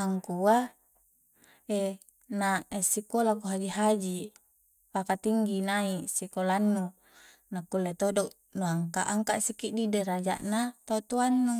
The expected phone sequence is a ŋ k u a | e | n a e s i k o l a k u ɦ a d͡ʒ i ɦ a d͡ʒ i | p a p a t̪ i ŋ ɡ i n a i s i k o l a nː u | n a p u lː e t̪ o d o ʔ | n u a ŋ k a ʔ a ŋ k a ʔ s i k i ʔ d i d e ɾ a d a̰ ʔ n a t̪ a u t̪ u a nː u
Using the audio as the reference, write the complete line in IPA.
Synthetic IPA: a ŋ k u a | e | n a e s i k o l a k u ɦ a d͡ʒ i ɦ a d͡ʒ i | p a k a t̪ i ŋ ɡ i n a i s i k o l a nː u | n a k u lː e t̪ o d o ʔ | n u a ŋ k a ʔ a ŋ k a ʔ s i k i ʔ d i d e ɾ a d͡ʒ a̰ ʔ n a t̪ a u t̪ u a nː u